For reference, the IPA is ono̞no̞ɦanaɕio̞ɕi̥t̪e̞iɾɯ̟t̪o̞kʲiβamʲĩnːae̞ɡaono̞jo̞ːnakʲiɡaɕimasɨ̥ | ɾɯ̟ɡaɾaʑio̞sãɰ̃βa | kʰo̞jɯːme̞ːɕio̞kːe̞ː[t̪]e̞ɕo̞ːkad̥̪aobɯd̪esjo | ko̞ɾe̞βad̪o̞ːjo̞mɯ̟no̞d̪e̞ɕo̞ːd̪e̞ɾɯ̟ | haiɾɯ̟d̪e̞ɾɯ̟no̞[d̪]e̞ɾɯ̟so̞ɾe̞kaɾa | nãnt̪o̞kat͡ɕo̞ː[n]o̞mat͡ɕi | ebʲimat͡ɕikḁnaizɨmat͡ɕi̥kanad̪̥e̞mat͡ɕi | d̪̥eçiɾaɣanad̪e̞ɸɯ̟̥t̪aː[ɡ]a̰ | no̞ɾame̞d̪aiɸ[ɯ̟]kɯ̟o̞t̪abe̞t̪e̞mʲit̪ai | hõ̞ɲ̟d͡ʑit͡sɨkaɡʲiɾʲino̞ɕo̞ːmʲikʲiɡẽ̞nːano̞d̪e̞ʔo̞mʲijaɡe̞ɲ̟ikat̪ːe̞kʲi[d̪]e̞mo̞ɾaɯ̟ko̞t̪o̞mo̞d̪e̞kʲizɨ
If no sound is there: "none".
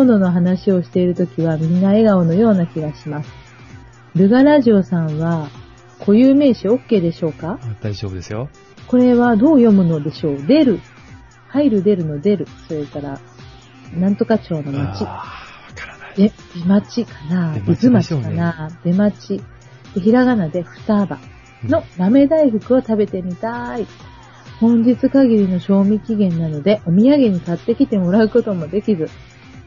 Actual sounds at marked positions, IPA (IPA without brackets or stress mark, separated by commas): d̪, d̪, n, b, ɯ̟, t̪